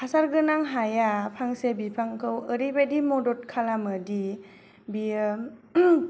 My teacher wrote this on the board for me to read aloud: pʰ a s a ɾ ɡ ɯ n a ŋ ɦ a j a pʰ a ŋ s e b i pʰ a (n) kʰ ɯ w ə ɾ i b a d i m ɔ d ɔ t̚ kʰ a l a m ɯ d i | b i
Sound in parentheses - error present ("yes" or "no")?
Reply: yes